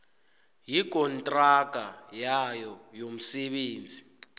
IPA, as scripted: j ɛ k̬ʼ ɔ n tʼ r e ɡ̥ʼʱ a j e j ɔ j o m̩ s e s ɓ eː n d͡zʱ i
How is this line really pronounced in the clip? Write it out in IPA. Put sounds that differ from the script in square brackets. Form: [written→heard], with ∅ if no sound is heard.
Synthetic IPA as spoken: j [ɛ→i] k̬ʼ ɔ n tʼ r [e→a] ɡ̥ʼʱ a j [e→a] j ɔ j o m̩ s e [s→∅] ɓ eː n d͡zʱ i